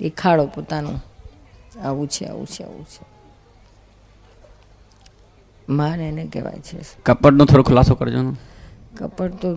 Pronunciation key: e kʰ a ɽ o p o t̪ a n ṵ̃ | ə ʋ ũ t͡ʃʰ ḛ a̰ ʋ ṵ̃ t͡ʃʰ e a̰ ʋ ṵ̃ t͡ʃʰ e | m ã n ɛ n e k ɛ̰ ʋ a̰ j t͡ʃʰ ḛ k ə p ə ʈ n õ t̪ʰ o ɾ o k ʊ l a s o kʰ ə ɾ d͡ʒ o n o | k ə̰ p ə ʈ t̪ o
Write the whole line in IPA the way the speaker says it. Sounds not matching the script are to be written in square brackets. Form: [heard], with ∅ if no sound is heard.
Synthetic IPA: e kʰ a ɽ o p o t̪ a n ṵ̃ | [a] ʋ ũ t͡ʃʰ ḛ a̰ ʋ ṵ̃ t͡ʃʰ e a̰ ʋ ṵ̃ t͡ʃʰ e | m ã n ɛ n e k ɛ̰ ʋ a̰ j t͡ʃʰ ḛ k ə p ə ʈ n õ t̪ʰ o ɾ o [kʰ] ʊ l a s o [k] ə ɾ d͡ʒ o n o | k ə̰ p ə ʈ t̪ o